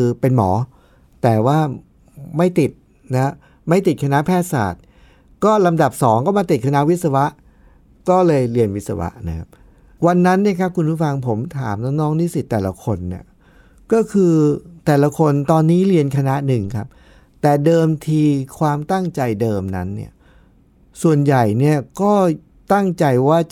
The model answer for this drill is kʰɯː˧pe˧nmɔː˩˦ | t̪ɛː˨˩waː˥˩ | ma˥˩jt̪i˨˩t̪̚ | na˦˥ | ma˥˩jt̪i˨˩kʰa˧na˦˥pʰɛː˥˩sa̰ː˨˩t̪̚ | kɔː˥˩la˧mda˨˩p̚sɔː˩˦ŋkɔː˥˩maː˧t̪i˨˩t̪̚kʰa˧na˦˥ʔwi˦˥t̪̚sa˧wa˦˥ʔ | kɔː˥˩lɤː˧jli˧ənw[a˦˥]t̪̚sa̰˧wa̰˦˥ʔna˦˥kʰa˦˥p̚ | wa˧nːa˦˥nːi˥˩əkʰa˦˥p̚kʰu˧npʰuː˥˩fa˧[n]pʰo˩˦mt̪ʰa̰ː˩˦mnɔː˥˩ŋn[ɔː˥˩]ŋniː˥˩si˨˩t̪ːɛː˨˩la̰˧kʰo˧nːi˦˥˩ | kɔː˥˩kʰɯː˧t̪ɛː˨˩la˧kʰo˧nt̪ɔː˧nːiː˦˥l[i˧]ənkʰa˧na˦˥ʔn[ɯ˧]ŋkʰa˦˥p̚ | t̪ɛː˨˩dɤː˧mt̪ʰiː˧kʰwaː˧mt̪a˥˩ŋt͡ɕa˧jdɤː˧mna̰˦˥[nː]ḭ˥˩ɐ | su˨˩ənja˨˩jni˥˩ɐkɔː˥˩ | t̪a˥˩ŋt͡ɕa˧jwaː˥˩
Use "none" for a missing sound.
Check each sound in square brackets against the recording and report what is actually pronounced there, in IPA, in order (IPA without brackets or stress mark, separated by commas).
i˦˥, ŋ, ɔː˦˥, i˧, ɯ˨˩, nː